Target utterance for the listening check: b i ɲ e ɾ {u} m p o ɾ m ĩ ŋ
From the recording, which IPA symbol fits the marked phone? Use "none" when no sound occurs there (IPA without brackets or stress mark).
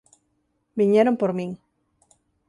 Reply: o